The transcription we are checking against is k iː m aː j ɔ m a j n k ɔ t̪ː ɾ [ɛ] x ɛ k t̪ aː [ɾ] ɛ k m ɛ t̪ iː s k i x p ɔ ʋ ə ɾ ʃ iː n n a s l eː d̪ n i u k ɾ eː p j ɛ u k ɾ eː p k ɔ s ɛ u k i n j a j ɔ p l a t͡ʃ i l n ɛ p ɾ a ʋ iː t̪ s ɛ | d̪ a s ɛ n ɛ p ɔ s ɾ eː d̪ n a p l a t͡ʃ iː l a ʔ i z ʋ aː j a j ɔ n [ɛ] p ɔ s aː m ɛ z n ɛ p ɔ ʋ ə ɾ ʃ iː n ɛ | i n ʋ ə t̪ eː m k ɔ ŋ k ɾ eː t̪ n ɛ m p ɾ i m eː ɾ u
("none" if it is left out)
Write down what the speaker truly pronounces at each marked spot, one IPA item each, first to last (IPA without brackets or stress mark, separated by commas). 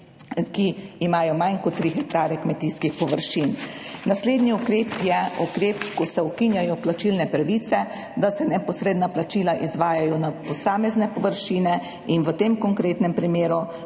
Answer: i, ɾ, a